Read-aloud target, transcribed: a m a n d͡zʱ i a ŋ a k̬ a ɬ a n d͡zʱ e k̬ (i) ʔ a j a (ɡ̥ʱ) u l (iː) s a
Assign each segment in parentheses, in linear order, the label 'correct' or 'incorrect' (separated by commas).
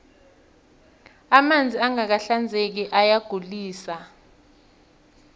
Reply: correct, correct, correct